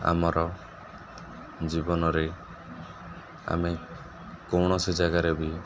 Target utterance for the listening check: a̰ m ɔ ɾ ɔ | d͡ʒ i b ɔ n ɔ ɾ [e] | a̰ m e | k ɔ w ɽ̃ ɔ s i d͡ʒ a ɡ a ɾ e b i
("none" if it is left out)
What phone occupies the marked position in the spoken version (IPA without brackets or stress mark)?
e